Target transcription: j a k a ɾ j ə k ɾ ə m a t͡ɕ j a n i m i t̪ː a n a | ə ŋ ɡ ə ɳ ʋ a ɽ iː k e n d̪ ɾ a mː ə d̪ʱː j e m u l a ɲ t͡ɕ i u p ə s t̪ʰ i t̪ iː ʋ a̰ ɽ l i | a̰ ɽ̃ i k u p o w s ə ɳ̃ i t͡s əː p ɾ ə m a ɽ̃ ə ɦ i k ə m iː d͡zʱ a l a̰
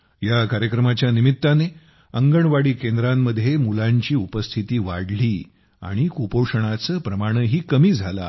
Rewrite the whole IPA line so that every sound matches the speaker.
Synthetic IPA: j a k a ɾ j ə k ɾ ə m a t͡ɕ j a n i m i t̪ː a n e | ə ŋ ɡ ə ɳ ʋ a ɽ iː k e n d̪ ɾ a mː ə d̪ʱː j e m u l a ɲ t͡ɕ iː u p ə s t̪ʰ i t̪ iː ʋ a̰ ɽ l iː | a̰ ɽ̃ i k u p o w ʂ ə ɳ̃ a t͡s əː p ɾ ə m a ɽ̃ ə ɦ iː k ə m iː d͡zʱ a l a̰

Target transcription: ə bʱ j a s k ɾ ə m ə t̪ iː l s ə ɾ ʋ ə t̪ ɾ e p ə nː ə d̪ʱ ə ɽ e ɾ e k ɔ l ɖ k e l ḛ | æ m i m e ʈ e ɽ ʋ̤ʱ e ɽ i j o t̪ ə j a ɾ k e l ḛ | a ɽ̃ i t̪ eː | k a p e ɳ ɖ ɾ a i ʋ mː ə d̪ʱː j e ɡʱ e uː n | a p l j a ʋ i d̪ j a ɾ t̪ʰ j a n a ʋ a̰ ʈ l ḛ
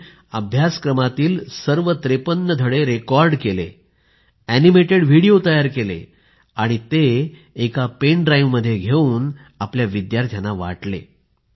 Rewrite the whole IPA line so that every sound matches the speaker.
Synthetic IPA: ə bʱ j a s k ɾ ə m a t̪ iː l s ə ɾ ʋ ə t̪ ɾ e p ə nː ə d̪ʱ ə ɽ e ɾ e k ɔ ɾ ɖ k e l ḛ | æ n i m e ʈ e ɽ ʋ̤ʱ i ɽ i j o t̪ ə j a ɾ k e l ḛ | a ɽ̃ i t̪ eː | k a p e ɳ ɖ ɾ a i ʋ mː ə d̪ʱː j e ɡʱ e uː n | a p l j a ʋ i d̪ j a ɾ t̪ʰ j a n a ʋ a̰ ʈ l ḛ

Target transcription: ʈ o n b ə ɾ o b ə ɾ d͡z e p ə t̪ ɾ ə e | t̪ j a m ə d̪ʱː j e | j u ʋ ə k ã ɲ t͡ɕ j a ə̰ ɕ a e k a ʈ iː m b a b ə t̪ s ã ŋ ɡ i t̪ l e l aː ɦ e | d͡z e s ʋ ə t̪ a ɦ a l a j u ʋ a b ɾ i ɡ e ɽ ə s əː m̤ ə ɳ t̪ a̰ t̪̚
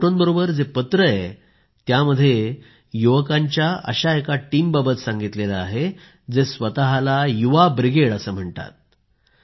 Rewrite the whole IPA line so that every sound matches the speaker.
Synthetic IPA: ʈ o n b ə ɾ o b ə ɾ d͡z e p ə t̪ ɾ ə e | t̪ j a m ə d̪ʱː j e | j u ʋ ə k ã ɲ t͡ɕ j a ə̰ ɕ a e k a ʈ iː m b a b ə t̪ s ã ŋ ɡ i t̪ l e l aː ɦ e | d͡z e s ʋ ə t̪ a ɦ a l a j u ʋ a b ɾ i ɡ e ɽ ə s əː m̤ ə ɳ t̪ a̰ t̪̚

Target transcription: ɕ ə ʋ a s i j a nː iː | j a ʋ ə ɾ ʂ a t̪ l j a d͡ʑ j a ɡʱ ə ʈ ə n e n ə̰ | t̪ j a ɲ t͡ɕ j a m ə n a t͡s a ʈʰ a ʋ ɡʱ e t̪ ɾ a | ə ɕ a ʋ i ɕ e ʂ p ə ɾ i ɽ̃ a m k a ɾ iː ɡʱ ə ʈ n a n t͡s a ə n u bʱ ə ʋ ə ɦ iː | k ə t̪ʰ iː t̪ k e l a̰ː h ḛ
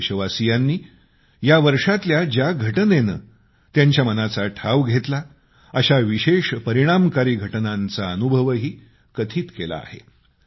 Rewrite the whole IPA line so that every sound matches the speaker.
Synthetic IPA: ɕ ə ʋ a s i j a nː iː | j a ʋ ə ɾ ʂ a t̪ l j a d͡ʑ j a ɡʱ ə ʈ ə n e n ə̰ | t̪ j a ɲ t͡ɕ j a m ə n a t͡s a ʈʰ a ʋ ɡʱ e t̪ l a | ə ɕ a ʋ i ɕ e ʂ p ə ɾ i ɽ̃ a m k a ɾ iː ɡʱ ə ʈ n a n t͡s a ə n u bʱ ə ʋ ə ɦ iː | k ə t̪ʰ iː t̪ k e l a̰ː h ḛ

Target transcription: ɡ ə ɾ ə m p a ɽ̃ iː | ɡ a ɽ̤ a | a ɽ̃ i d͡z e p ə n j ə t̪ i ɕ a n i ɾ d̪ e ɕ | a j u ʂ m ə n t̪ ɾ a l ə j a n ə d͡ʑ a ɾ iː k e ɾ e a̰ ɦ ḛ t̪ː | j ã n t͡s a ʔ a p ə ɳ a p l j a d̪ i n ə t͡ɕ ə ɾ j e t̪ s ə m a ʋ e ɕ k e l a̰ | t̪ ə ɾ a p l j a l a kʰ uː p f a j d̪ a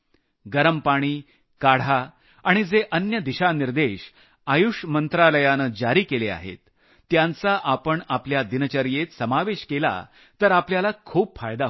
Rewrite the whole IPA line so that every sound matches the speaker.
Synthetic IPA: ɡ ə ɾ ə m p a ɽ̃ iː | k a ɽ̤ a | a ɽ̃ i d͡z e ʔ ə n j ə d̪ i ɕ a n i ɾ d̪ e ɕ | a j u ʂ m ə n t̪ ɾ a l ə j a n ə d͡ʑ a ɾ iː k e l e a̰ ɦ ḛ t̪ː | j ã n t͡s a ʔ a p ə ɳ a p l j a d̪ i n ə t͡ɕ ə ɾ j e t̪ s ə m a ʋ e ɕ k e l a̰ | t̪ ə ɾ a p l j a l a kʰ uː p f a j d̪ a

